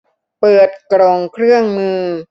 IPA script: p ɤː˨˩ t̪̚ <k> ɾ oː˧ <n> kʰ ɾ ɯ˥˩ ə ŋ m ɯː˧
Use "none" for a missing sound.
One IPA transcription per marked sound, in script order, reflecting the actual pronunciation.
k, ŋ

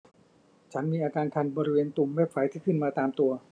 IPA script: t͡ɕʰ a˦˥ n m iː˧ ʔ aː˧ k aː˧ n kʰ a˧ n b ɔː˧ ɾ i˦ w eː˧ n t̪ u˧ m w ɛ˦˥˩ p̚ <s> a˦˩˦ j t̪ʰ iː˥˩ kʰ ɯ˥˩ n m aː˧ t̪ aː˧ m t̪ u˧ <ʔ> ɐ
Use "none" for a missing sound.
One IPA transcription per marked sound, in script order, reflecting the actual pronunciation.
f, none

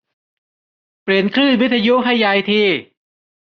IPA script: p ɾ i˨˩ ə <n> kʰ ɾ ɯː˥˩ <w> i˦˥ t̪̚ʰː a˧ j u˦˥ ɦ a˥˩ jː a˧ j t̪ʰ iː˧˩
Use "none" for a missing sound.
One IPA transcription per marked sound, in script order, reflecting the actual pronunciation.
n, w

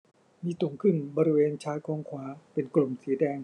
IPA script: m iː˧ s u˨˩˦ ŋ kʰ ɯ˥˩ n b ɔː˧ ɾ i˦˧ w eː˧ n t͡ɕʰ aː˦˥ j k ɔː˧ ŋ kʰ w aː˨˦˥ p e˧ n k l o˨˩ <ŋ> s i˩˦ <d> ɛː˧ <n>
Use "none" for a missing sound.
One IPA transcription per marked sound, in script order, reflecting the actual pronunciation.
m, d, ŋ

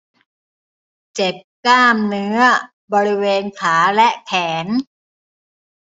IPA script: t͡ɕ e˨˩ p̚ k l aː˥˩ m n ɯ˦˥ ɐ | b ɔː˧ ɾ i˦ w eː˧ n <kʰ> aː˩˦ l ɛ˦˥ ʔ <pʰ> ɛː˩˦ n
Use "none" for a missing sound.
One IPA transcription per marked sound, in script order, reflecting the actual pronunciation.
kʰ, kʰ

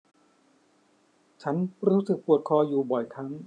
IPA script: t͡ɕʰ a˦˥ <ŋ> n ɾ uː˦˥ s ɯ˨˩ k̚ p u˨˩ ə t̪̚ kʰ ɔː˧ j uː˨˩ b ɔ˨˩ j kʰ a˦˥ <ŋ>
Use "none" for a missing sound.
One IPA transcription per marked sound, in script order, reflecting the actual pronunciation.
none, ŋ

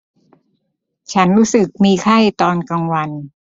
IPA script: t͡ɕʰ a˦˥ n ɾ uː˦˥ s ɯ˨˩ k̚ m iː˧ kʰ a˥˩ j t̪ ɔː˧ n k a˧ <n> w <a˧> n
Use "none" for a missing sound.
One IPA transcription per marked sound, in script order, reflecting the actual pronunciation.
ŋ, a˧

